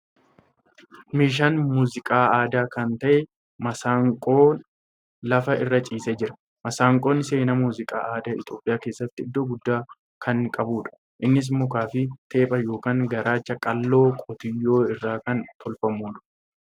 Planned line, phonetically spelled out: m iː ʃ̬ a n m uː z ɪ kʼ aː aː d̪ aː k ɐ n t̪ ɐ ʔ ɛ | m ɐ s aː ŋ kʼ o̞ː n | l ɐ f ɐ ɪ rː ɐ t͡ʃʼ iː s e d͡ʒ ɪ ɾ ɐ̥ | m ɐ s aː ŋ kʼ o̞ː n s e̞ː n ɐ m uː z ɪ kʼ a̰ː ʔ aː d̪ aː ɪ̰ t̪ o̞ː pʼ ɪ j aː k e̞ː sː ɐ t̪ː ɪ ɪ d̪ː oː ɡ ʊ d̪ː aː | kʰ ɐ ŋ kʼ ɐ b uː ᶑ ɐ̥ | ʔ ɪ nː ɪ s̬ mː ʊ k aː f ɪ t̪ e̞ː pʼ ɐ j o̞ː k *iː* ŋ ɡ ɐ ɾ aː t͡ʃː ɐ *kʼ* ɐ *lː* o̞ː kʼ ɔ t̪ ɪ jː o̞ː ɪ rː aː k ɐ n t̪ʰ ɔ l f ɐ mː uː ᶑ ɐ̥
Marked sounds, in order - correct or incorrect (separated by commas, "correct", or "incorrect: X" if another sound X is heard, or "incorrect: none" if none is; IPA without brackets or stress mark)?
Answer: incorrect: aː, correct, correct